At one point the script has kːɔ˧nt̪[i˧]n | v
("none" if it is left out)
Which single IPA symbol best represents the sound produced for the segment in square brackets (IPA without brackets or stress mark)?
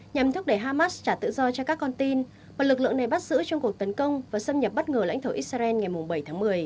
i˧